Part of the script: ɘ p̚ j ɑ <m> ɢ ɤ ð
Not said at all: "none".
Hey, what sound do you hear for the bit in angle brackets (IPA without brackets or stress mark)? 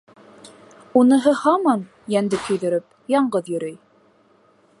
ɴ